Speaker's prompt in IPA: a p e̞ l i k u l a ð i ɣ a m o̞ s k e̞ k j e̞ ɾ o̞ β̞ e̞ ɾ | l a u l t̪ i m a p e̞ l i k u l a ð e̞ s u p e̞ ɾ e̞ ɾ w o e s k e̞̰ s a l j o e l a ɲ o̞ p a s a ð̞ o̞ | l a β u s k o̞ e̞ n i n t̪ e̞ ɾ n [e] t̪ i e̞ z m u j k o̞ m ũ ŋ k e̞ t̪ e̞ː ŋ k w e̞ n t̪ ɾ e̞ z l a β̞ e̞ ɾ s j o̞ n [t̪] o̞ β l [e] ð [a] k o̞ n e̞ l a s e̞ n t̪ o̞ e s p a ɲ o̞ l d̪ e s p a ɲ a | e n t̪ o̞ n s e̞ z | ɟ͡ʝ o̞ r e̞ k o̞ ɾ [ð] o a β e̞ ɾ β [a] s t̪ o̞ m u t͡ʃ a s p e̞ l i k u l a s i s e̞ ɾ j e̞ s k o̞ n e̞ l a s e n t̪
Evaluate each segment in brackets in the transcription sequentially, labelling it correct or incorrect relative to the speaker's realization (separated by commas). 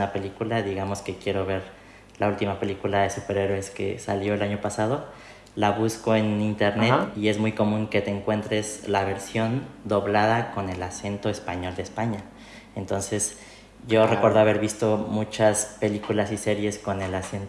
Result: correct, incorrect, incorrect, correct, correct, incorrect